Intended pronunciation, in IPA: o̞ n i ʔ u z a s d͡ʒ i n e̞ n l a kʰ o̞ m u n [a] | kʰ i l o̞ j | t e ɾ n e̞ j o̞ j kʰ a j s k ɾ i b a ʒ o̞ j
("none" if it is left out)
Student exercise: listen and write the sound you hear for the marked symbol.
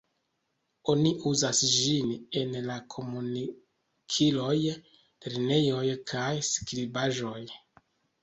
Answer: i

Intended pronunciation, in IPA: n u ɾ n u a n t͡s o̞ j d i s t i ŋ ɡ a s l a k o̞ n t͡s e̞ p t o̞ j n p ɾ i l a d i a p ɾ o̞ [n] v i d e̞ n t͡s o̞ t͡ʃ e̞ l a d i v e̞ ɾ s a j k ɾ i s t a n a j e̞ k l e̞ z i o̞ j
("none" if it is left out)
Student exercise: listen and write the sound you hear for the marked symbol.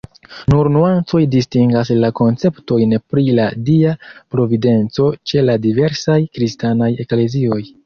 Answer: none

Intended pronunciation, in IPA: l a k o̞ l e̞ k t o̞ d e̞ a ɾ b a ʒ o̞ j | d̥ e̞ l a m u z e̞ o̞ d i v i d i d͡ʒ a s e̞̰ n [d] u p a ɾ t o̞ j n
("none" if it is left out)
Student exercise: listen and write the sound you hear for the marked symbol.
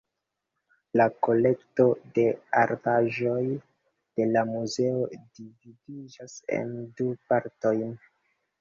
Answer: d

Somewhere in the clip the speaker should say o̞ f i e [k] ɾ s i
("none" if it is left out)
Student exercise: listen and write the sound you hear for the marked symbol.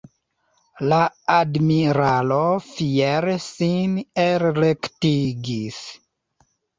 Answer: none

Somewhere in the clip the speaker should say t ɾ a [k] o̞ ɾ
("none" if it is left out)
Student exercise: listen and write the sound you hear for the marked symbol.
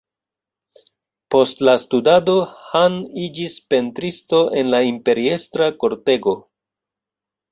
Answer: k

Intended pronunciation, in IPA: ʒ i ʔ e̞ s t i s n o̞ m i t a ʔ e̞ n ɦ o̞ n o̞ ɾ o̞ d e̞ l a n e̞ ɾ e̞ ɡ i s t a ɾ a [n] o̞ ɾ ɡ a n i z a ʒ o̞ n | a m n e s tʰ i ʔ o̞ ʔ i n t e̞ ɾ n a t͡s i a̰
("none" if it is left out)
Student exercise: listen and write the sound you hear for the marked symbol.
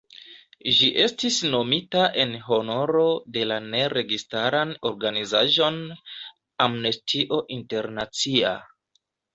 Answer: n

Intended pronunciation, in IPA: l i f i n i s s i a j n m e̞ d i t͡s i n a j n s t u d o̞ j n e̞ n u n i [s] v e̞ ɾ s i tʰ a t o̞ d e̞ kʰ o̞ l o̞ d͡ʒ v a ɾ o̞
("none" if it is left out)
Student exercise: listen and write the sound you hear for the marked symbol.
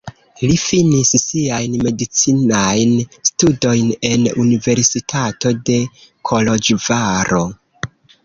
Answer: none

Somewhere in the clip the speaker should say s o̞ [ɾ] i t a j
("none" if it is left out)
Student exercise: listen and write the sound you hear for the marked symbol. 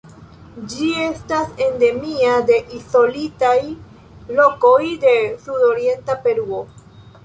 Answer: l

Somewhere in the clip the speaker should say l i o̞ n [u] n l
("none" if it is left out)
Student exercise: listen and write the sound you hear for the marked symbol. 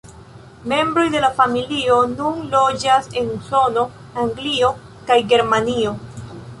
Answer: u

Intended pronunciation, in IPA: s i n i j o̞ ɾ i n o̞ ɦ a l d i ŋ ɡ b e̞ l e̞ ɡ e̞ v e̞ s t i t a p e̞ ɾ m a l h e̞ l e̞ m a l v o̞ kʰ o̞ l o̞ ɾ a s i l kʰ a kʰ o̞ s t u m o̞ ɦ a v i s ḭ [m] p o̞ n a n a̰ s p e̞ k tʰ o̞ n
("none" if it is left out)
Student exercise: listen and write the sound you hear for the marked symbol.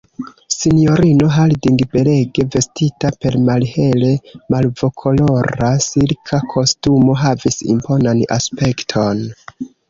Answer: m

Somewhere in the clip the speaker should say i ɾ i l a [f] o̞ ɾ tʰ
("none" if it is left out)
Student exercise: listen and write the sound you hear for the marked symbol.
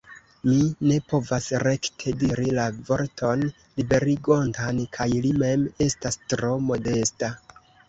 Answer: v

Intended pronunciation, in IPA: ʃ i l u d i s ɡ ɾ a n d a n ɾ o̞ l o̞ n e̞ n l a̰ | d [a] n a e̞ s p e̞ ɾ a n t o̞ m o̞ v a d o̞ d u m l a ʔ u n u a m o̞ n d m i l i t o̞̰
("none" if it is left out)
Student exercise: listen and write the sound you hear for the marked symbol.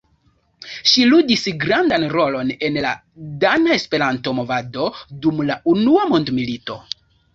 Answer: a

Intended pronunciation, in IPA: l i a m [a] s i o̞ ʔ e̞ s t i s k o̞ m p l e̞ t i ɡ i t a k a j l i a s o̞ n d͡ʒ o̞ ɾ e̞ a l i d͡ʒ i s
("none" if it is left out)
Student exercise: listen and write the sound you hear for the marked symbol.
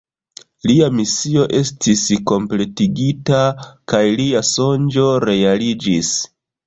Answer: i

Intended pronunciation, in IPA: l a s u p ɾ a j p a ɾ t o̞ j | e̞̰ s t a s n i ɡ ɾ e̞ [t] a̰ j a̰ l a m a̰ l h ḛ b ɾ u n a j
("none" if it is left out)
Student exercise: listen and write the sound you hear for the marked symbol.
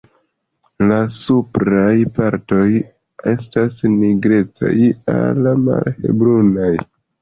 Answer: t͡s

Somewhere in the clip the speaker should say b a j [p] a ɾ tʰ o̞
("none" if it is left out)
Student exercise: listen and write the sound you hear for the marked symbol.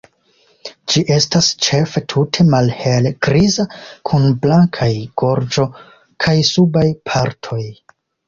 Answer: pʰ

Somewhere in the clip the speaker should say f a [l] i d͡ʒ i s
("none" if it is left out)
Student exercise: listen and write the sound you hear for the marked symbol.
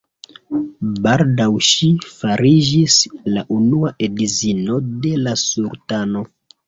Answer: ɾ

